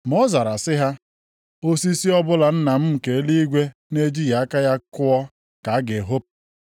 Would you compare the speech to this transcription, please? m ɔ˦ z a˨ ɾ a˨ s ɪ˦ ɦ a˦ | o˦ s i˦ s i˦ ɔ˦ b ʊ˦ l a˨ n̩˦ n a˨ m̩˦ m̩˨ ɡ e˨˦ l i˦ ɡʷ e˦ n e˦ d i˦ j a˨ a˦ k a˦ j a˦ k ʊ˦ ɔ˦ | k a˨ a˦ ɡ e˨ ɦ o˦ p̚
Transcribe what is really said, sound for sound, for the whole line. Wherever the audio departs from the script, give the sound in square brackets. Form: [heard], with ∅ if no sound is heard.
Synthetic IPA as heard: m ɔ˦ z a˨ ɾ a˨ s ɪ˦ ɦ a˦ | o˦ s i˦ s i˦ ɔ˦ b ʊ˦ l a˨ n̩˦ n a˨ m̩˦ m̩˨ [k] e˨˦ l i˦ ɡʷ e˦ n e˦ [d͡ʒ] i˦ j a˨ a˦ k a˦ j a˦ k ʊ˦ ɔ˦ | k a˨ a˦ ɡ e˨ ɦ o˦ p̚

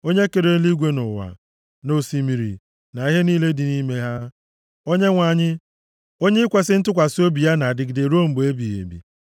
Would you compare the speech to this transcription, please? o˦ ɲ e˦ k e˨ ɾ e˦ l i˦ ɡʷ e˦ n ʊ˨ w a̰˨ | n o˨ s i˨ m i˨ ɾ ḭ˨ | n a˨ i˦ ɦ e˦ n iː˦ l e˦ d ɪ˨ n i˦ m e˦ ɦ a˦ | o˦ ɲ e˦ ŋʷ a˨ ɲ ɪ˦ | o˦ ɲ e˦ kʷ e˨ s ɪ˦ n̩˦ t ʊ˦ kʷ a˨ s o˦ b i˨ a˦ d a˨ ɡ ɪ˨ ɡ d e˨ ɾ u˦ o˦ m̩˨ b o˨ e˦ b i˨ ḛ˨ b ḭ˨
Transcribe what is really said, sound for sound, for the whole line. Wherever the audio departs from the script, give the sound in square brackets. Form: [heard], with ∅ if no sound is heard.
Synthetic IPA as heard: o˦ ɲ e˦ k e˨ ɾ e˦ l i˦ ɡʷ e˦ n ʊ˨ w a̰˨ | n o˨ s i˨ m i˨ ɾ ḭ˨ | n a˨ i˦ ɦ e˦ n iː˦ l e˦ d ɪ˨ n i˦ m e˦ ɦ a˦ | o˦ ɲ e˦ ŋʷ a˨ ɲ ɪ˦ | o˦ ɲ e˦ kʷ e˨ s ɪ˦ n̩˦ t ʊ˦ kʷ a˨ s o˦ b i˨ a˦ [n] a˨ [d] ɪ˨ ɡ d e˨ ɾ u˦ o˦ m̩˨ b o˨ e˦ b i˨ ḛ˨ b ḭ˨

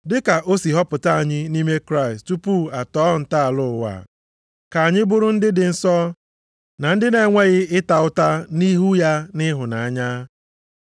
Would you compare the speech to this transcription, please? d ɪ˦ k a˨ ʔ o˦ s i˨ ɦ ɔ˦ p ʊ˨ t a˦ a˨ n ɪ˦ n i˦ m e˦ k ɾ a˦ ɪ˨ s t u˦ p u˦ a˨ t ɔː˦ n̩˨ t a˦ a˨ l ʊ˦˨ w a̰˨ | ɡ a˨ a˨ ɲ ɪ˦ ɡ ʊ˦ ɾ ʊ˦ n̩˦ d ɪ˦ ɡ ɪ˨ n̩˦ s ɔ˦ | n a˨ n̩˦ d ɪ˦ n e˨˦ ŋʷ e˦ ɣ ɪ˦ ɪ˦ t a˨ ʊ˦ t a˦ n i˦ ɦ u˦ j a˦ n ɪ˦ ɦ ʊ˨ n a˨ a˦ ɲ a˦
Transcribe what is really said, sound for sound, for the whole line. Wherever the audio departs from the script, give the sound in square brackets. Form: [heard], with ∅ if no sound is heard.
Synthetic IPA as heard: d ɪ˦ k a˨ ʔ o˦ s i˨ ɦ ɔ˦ p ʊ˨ t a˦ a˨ [ɲ] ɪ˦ n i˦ m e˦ k ɾ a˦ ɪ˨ s t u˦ p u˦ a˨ t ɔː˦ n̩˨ t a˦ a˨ l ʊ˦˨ w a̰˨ | [k] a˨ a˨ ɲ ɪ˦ [b] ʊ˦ ɾ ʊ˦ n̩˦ d ɪ˦ [d] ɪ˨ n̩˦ s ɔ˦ | n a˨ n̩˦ d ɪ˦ n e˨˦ ŋʷ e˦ ɣ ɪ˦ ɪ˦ t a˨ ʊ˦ t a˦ n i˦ ɦ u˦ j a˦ n ɪ˦ ɦ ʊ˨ n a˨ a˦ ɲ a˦

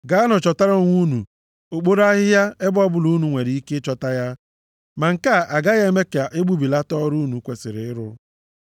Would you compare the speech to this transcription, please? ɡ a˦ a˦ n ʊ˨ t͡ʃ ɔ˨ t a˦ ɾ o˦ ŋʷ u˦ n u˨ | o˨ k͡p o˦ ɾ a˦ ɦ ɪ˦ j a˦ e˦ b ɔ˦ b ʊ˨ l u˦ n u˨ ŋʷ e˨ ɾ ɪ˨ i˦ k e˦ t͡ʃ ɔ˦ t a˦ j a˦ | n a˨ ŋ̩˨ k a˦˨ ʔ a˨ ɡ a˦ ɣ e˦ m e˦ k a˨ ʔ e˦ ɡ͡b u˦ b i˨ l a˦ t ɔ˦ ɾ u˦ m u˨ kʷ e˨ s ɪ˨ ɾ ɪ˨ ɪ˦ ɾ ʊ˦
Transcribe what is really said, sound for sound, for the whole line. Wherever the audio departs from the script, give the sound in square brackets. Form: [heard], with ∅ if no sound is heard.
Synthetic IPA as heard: ɡ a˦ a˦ n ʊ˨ t͡ʃ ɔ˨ t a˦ ɾ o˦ ŋʷ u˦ n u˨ | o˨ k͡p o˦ ɾ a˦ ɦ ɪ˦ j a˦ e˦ b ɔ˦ b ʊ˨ l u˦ n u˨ ŋʷ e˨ ɾ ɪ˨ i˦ k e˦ t͡ʃ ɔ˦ t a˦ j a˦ | [m] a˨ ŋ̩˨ k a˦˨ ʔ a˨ ɡ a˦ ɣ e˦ m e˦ k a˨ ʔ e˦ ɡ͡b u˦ b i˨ l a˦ t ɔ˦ ɾ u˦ [n] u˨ kʷ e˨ s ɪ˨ ɾ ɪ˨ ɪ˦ ɾ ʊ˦

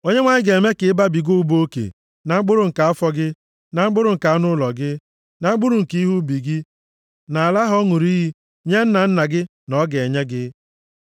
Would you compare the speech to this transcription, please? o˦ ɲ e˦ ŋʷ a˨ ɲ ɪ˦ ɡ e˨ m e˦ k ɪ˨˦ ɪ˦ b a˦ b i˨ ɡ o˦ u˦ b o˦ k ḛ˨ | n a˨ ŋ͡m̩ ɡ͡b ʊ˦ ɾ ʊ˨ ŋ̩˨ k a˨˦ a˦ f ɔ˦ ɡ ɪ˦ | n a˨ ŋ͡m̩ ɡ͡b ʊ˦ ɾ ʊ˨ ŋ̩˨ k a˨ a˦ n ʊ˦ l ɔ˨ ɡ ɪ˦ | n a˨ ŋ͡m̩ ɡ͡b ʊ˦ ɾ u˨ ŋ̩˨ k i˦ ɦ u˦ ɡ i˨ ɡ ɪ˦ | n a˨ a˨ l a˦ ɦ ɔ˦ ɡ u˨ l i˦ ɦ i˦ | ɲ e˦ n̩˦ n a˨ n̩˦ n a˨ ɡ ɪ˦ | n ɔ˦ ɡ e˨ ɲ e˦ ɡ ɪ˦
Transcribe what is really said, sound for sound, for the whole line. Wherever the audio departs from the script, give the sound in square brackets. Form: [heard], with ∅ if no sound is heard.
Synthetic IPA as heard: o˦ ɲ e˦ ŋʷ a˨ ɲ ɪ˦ ɡ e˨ m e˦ k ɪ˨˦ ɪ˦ b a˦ b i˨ ɡ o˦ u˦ b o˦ k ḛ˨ | n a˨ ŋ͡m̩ ɡ͡b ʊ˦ ɾ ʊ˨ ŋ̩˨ k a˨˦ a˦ f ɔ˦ ɡ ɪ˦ | n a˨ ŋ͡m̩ ɡ͡b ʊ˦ ɾ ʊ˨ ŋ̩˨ k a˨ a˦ n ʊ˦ l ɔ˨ ɡ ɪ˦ | n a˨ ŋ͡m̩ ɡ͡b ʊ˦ ɾ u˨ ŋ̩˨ k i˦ ɦ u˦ [b] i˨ ɡ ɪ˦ | n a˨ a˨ l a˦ ɦ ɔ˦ [ŋ] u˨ [ɾ] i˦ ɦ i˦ | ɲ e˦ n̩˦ n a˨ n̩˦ n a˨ ɡ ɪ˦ | n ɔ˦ ɡ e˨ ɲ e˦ ɡ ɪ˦

